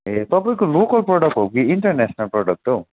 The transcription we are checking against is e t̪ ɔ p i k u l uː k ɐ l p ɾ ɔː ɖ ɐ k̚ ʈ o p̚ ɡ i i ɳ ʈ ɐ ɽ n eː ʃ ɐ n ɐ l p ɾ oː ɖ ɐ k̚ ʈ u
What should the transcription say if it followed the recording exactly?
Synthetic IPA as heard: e t̪ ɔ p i k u l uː k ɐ l p ɾ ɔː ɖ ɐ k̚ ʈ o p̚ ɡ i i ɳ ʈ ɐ ɾ n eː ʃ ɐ n ɐ l p ɾ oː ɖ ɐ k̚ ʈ u